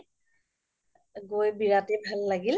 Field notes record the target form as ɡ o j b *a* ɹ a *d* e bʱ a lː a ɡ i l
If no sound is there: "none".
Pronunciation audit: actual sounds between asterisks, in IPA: i, t

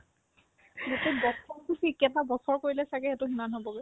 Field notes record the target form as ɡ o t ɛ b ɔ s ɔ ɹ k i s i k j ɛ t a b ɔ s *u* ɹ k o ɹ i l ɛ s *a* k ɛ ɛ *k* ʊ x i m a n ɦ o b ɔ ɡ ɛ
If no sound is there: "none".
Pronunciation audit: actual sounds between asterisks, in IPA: ɔ, a, t

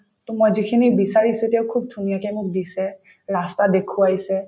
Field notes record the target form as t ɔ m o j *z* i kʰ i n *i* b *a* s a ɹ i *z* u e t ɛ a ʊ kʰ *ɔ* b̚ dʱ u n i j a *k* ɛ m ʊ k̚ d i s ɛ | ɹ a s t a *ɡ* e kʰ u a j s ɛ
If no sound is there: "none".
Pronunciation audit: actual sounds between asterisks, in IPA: z, i, i, s, u, k, d

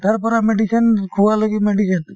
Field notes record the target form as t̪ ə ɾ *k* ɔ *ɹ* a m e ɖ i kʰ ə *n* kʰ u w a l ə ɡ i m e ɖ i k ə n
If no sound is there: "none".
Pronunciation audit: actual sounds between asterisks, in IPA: p, ɾ, n

